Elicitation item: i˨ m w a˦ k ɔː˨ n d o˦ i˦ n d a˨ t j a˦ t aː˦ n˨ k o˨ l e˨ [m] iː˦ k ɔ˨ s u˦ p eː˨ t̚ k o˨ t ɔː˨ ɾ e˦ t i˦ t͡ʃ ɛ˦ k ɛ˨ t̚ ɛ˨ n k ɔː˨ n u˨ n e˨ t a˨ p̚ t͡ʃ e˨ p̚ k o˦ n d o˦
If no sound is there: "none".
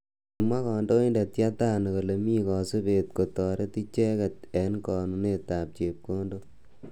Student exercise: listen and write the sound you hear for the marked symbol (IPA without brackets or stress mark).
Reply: m